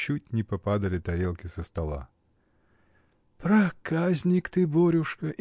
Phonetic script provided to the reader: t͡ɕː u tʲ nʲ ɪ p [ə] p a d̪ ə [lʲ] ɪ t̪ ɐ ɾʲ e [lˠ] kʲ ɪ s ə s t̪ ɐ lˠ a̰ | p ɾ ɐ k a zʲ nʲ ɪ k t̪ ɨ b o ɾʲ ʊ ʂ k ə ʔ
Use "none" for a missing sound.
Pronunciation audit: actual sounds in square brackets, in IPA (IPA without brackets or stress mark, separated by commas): ɐ, lʲ, lˠ